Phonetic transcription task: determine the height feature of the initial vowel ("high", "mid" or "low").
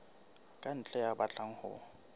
low